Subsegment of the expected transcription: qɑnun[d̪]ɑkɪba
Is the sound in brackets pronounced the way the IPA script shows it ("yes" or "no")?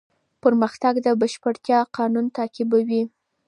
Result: no